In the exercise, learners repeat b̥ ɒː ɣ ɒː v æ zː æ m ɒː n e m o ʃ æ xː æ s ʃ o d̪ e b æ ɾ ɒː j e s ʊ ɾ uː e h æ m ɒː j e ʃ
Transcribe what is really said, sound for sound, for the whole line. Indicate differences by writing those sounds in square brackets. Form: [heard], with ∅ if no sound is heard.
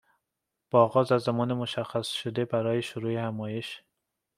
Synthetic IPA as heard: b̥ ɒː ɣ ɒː [z] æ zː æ m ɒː n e m o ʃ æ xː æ s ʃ o d̪ e b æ ɾ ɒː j e [ʃ] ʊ ɾ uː e h æ m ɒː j e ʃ